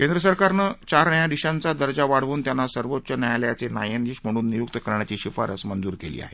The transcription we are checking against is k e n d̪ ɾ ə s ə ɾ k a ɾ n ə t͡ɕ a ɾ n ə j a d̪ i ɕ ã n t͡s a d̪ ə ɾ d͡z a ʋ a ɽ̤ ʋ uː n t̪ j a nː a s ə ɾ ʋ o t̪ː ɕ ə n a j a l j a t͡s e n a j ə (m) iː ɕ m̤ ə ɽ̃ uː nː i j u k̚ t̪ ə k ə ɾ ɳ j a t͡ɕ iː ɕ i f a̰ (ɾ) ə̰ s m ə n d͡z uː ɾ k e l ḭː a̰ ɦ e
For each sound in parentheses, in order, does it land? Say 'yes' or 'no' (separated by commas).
no, yes